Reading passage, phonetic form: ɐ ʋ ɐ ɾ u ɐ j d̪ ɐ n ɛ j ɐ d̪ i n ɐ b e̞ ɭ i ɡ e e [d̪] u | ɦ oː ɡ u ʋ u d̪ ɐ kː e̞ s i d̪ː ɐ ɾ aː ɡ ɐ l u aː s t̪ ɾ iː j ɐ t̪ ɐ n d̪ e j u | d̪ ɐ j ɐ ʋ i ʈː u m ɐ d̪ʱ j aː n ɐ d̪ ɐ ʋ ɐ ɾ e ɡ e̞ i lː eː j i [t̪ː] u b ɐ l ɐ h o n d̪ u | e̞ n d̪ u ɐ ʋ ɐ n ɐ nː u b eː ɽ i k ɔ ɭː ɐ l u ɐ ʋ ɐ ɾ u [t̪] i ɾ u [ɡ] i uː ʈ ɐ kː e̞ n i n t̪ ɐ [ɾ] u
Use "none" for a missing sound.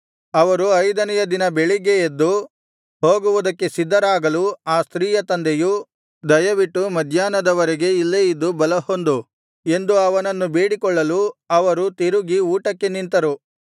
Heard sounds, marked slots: d̪ː, d̪ː, t̪, ɡ, ɾ

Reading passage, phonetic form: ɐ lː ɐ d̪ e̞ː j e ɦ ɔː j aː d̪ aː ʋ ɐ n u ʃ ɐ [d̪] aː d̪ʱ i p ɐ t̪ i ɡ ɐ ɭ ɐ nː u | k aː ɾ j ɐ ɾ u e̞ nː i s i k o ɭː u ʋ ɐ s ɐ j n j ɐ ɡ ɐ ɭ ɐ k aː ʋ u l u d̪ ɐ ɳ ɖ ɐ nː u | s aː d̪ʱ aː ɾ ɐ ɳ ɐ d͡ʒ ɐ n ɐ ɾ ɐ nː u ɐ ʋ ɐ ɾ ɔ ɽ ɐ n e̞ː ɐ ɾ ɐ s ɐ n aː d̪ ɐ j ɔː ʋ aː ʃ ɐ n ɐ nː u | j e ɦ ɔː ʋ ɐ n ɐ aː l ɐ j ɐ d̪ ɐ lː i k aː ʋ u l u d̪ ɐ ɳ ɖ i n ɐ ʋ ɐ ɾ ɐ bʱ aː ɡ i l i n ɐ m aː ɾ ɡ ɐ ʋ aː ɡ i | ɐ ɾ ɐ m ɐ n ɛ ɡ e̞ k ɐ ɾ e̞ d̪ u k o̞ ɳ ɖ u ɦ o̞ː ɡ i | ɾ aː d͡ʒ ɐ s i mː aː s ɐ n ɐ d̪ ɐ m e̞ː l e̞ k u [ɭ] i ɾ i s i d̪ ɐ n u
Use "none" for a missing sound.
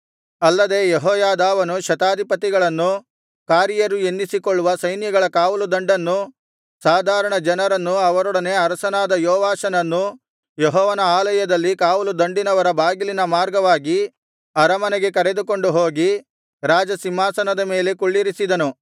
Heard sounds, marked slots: t̪, ɭː

